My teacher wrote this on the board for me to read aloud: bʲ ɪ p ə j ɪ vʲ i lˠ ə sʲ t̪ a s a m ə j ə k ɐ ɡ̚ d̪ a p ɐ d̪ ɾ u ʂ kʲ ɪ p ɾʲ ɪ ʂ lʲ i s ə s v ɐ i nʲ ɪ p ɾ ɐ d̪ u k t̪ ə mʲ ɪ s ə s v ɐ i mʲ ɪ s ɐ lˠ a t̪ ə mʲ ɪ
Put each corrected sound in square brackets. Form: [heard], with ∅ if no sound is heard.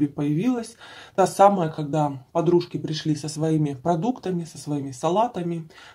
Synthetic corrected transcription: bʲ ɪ p ə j ɪ vʲ i lˠ ə sʲ t̪ a s a m ə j ə k ɐ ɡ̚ d̪ a p ɐ d̪ ɾ u ʂ kʲ ɪ p ɾʲ ɪ ʂ lʲ i s ə s v ɐ i [mʲ] ɪ p ɾ ɐ d̪ u k t̪ ə mʲ ɪ s ə s v ɐ i mʲ ɪ s ɐ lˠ a t̪ ə mʲ ɪ